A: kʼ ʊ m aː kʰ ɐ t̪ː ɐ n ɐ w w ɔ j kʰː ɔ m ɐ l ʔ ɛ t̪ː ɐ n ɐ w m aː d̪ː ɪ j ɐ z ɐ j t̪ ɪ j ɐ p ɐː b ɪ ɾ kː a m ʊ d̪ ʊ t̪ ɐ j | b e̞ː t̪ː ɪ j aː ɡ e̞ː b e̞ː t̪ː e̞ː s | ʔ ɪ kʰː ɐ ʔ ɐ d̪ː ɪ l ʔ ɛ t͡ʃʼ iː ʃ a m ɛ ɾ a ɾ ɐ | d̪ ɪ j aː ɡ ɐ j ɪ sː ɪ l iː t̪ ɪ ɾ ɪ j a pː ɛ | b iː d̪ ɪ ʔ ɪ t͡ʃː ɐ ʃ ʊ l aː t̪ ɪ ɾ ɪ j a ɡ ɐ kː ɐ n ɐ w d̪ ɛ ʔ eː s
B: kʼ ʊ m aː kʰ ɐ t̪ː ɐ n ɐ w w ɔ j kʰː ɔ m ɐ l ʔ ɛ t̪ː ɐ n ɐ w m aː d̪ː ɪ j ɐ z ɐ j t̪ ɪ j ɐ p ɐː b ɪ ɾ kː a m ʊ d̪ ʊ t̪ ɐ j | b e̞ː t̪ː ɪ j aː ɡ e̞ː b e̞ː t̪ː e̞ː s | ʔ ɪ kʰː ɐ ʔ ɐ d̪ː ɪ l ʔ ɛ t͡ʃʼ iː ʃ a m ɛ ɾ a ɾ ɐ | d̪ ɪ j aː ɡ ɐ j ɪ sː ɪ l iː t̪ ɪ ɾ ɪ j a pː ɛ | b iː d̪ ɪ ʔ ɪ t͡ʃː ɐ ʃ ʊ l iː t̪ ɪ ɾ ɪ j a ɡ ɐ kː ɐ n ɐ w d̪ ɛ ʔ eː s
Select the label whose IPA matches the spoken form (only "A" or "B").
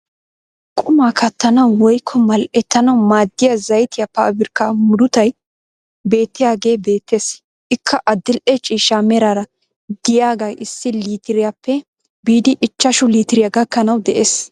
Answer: B